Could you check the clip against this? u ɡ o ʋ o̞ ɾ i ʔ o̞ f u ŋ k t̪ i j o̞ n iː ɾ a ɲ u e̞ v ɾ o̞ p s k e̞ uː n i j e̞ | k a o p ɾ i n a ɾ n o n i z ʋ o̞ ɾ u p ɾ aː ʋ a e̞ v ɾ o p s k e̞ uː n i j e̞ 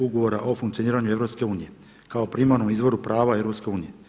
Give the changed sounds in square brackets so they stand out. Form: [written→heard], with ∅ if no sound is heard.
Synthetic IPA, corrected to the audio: u ɡ o ʋ o̞ ɾ [i→a] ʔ o̞ f u ŋ k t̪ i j o̞ n iː ɾ a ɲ u e̞ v ɾ o̞ p s k e̞ uː n i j e̞ | k a o p ɾ i [n→m] a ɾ n o [n→m] i z ʋ o̞ ɾ u p ɾ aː ʋ a e̞ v ɾ o p s k e̞ uː n i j e̞